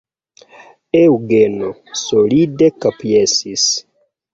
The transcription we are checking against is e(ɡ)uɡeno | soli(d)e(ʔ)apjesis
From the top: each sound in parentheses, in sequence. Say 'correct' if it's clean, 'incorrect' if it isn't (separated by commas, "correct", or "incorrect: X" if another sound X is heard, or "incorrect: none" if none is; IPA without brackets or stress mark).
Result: incorrect: none, correct, incorrect: k